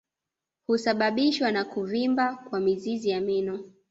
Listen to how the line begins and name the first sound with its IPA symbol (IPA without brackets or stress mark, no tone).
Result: h